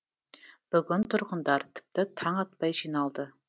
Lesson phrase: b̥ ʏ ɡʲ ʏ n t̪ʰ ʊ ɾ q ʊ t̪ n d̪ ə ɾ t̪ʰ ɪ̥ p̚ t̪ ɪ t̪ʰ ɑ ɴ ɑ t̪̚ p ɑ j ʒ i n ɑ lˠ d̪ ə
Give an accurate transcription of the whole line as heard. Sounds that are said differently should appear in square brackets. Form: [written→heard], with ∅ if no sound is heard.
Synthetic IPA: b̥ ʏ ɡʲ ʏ n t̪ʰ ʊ ɾ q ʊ [t̪→∅] n d̪ [ə→ɑ] ɾ t̪ʰ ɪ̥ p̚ t̪ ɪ t̪ʰ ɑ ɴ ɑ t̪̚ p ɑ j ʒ i n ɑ lˠ d̪ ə